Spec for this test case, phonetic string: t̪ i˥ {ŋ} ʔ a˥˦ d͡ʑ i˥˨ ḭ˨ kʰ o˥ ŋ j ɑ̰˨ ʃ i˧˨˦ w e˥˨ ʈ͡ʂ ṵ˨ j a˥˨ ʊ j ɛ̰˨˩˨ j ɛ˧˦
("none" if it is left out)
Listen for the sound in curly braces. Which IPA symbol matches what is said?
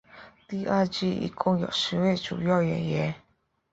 none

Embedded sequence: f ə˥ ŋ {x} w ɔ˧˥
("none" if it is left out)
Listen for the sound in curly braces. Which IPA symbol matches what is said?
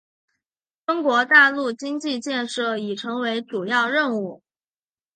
k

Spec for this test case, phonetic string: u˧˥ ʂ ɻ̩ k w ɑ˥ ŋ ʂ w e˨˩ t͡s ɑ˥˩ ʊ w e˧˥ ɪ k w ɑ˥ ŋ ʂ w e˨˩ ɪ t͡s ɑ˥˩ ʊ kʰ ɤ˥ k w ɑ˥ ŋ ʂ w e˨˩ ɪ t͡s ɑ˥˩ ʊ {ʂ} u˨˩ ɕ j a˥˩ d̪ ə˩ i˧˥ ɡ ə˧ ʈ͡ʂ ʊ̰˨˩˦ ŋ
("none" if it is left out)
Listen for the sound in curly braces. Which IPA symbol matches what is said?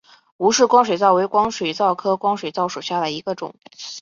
ʂ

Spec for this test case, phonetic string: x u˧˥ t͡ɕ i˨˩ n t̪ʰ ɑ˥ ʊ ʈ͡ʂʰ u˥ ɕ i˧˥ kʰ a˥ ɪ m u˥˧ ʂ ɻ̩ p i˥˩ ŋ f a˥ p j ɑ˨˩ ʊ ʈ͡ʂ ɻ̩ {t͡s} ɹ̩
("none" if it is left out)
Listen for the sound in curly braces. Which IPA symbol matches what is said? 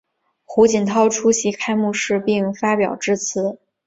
t͡sʰ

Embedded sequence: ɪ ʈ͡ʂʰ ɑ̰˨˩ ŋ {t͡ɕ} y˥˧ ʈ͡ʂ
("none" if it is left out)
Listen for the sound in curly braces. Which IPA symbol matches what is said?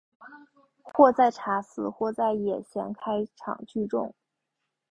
t͡ɕ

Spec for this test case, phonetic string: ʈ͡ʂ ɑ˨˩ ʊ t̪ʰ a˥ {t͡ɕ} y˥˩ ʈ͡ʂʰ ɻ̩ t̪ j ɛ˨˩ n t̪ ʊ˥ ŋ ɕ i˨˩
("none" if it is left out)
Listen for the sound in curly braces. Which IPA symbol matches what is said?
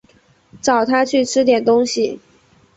t͡ɕʰ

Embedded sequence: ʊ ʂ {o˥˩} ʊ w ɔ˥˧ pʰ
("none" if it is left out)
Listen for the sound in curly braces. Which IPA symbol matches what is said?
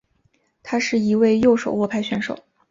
o˨˩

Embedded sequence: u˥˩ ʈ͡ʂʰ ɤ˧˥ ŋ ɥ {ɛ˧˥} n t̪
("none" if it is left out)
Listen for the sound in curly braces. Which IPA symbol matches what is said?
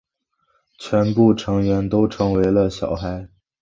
ɛ˧˥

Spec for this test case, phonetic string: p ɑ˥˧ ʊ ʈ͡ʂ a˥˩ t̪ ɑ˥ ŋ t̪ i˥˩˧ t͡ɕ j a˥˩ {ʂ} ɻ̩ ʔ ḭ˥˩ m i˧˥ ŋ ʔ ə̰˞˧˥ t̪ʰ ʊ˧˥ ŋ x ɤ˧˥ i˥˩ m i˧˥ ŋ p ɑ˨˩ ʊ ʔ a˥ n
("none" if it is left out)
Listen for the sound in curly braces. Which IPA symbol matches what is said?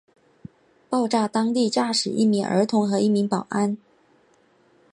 ʂ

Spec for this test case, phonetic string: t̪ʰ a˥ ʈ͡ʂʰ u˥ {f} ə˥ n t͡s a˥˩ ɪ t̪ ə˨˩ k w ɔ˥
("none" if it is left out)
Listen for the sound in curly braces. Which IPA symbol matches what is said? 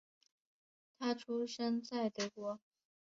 ʂ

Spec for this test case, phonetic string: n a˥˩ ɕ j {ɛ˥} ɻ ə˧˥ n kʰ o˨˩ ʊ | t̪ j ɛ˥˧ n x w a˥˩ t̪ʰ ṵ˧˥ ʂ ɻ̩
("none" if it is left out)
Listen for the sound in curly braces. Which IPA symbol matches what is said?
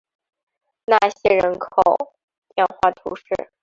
ɛ˥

